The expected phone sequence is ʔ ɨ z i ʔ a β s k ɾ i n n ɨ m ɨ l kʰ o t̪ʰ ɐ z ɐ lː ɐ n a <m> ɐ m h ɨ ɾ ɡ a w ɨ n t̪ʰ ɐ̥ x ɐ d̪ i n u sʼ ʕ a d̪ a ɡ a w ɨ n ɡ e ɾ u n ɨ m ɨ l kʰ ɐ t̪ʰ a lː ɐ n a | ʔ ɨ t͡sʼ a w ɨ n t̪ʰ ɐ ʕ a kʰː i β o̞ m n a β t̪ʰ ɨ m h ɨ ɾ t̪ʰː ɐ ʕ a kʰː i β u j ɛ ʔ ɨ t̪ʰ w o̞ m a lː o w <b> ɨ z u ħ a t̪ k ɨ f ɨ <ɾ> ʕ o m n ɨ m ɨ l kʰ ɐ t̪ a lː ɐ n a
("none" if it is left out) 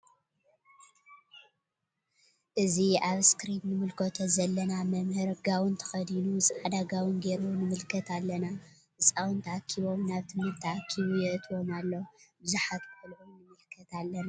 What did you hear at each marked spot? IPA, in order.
m, b, l

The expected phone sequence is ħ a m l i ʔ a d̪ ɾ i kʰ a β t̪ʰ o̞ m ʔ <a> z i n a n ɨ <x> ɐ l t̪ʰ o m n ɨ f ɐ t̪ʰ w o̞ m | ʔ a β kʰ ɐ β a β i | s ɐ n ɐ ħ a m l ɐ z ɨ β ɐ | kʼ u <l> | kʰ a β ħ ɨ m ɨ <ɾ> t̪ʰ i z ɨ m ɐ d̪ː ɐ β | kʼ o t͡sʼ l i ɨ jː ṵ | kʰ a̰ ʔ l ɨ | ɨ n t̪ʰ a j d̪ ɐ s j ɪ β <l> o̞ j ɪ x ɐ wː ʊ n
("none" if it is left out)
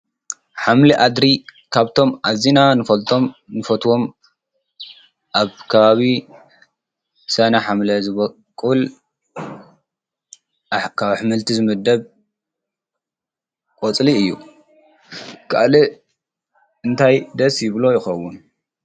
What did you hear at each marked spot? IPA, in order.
a, f, l, l, l

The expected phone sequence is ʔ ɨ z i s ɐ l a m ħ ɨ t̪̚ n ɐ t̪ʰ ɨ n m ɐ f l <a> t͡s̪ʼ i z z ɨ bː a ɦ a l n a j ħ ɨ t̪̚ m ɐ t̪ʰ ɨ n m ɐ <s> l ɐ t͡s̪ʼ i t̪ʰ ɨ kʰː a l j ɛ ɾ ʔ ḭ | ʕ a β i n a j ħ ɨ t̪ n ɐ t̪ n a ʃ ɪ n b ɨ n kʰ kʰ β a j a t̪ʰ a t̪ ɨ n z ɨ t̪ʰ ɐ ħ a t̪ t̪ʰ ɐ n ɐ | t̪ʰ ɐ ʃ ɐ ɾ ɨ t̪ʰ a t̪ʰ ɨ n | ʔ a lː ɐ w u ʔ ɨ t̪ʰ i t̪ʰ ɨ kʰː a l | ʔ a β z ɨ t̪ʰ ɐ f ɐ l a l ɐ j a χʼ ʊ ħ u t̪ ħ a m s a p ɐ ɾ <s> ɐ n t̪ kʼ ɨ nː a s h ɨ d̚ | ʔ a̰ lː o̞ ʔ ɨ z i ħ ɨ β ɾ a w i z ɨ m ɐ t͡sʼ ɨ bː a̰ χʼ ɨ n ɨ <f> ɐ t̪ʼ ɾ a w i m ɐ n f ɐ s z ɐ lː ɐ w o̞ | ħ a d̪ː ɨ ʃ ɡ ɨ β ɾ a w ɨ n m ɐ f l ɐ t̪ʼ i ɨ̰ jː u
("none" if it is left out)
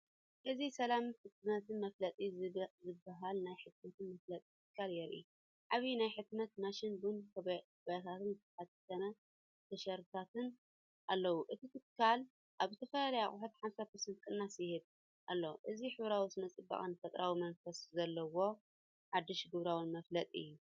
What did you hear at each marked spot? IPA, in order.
ɐ, f, s, f

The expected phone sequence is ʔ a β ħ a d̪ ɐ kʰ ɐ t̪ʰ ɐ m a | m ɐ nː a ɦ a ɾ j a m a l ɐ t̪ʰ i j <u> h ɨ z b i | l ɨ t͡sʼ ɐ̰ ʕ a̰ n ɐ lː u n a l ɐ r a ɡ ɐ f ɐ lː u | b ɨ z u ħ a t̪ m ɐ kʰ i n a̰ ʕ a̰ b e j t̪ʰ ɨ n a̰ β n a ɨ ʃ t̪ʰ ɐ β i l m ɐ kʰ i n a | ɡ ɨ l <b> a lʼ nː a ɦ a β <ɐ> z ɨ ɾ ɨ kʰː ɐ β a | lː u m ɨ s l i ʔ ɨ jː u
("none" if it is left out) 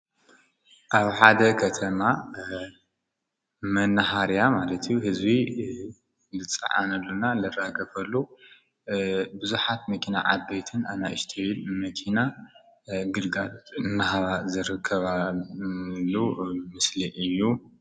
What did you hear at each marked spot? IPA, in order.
u, ɡ, a

